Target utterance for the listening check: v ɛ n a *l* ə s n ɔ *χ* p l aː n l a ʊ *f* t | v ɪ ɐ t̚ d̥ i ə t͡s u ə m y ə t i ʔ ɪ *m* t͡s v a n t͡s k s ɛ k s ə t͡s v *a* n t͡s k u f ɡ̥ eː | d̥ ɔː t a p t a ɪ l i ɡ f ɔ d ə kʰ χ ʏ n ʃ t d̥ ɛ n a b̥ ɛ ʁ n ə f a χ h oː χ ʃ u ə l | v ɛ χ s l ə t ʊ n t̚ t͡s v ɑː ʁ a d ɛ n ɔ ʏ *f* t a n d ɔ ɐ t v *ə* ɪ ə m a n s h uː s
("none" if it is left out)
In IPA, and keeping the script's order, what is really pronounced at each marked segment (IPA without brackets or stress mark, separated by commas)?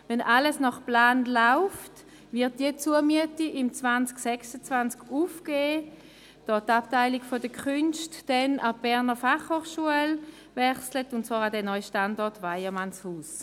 l, χ, f, m, a, ʃ, a